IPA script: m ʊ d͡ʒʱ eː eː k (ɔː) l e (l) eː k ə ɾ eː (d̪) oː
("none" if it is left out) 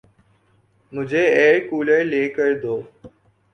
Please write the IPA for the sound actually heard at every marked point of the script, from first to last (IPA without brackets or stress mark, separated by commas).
uː, l, d̪